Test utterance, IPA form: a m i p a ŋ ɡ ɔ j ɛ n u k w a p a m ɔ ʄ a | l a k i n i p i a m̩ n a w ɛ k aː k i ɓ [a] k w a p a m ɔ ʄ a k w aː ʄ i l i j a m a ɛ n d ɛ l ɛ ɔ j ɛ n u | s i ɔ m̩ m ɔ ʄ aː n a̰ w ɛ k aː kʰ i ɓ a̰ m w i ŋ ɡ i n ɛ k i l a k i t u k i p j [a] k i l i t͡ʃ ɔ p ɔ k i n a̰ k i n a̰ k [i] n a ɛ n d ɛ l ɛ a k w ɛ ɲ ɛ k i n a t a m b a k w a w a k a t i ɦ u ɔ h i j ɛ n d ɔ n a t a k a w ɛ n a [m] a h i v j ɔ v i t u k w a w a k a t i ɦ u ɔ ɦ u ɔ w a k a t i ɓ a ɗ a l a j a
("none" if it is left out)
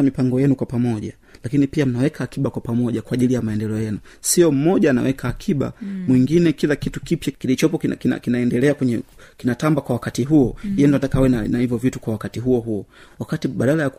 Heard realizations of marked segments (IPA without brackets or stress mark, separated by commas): a, a, i, n